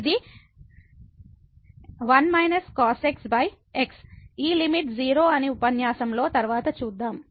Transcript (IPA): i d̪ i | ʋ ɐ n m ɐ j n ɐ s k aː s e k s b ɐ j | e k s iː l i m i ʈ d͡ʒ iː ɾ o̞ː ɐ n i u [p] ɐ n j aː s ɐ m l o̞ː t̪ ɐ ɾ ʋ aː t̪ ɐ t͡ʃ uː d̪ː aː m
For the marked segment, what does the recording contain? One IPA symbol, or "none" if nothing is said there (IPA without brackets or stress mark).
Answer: p